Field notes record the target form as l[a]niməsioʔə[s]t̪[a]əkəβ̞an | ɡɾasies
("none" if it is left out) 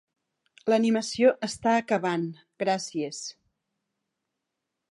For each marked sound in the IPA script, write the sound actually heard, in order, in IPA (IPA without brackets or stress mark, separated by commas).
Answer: ə, s, a